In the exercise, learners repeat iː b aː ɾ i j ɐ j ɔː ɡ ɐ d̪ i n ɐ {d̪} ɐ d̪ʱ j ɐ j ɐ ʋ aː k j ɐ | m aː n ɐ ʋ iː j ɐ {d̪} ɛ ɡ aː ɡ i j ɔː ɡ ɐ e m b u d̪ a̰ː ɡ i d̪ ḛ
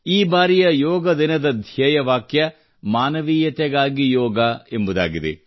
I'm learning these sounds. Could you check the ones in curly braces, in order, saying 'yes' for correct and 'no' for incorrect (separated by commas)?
yes, no